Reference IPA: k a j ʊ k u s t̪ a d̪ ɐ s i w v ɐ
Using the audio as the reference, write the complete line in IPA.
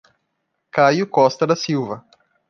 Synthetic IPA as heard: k a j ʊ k ɔ s t̪ ɐ d̪ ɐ s i w v ɐ